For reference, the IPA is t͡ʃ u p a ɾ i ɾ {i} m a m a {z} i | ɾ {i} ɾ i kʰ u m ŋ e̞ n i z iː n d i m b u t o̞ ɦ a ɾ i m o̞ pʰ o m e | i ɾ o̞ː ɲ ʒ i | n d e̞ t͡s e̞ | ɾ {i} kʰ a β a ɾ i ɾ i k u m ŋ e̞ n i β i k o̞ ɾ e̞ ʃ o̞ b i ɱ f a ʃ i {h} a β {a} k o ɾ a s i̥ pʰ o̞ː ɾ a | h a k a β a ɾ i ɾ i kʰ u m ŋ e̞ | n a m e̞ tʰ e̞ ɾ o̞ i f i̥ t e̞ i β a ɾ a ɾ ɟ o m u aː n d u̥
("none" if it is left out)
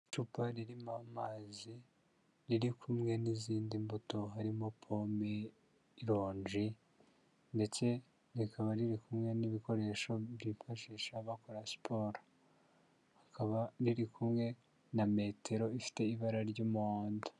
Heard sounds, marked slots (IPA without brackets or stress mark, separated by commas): i, z, i, i, ʃ, a